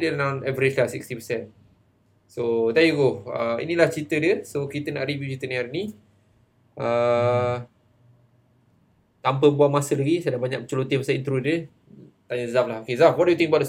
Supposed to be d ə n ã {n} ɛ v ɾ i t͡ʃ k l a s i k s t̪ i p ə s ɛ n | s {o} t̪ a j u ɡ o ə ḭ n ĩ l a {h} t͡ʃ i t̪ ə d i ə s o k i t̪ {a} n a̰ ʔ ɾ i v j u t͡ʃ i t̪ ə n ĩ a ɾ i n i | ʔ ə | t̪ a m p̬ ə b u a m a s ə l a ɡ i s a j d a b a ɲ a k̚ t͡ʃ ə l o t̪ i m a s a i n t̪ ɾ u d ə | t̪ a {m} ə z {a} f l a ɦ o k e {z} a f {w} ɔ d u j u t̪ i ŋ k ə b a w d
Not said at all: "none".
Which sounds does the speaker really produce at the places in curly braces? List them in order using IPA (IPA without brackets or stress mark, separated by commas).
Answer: n, o, h, ə, ɲ, a, z, w